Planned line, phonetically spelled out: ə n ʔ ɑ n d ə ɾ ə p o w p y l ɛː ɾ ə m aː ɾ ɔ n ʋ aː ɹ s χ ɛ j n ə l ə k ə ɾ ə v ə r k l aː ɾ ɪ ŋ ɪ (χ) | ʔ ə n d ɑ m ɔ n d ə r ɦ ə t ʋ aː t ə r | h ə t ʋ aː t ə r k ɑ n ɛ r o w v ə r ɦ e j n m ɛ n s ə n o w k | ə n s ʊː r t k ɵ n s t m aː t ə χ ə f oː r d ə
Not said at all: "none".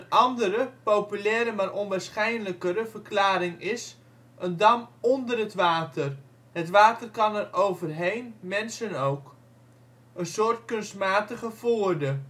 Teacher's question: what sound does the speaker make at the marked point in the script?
s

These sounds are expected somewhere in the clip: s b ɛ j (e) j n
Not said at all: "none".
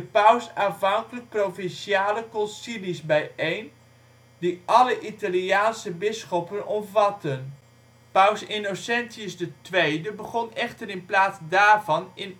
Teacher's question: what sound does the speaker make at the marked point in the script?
e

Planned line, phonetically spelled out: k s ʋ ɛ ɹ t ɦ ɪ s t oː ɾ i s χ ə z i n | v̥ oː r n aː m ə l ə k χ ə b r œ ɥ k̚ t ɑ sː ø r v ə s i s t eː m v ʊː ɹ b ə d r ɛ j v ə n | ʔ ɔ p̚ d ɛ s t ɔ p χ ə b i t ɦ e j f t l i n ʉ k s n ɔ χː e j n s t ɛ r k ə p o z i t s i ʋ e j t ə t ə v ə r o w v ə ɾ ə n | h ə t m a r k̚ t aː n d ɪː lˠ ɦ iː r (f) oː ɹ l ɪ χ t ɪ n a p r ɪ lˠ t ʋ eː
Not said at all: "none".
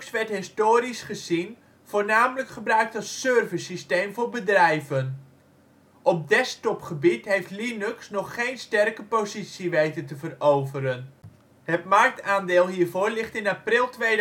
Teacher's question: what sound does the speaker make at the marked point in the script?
v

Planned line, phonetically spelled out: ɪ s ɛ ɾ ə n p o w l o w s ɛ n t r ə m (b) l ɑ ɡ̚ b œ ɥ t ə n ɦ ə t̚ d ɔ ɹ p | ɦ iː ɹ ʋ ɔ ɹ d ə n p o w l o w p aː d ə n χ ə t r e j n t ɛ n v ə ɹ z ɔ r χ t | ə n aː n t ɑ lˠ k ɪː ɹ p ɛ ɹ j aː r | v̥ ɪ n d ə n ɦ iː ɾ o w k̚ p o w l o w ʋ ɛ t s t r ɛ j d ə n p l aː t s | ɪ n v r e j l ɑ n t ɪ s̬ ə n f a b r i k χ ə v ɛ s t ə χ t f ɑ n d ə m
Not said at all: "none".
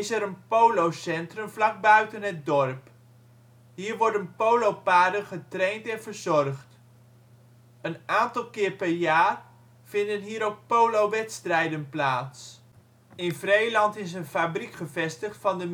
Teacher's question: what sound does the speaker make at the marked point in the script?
v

